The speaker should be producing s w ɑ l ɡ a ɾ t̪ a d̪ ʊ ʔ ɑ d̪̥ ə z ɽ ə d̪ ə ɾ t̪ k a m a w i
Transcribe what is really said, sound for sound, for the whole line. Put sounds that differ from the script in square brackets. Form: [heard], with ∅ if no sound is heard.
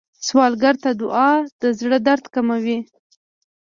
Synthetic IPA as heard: s w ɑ l ɡ a ɾ t̪ a d̪ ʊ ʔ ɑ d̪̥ ə z ɽ ə d̪ [a] ɾ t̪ k a m a w i